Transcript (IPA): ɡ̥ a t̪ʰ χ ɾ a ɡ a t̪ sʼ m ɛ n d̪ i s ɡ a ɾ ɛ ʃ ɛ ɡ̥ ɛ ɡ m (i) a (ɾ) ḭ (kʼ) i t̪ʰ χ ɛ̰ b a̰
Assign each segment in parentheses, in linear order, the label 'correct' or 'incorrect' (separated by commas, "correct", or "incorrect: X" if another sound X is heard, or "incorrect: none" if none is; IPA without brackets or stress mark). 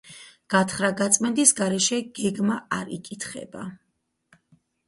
incorrect: a, correct, correct